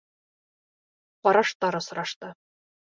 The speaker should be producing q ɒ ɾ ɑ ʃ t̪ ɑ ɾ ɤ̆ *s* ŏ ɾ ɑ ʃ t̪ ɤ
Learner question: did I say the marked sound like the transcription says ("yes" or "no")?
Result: yes